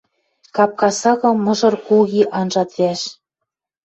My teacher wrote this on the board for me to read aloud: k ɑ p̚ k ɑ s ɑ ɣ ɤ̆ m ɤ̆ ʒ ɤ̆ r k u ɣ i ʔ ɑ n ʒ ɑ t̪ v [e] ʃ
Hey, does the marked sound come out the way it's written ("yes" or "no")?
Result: no